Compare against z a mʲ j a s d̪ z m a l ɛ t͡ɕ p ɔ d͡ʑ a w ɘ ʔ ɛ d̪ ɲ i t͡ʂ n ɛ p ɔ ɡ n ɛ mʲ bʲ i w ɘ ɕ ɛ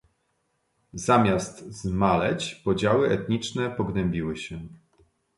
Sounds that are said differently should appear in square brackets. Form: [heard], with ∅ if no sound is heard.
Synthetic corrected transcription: z a mʲ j a s [t̪] z m a l ɛ t͡ɕ p ɔ d͡ʑ a w ɘ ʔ ɛ [t̪] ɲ i t͡ʂ n ɛ p ɔ ɡ n ɛ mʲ bʲ i w ɘ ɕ ɛ